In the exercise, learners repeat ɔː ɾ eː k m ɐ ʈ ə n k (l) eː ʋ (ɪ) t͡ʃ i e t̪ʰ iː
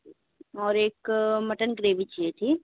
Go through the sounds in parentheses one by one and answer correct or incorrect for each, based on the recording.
incorrect: ɾ, incorrect: i

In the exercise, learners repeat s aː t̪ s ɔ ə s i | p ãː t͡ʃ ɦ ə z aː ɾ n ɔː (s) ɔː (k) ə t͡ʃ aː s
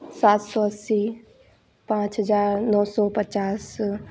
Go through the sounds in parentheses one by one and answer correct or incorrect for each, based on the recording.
correct, incorrect: p

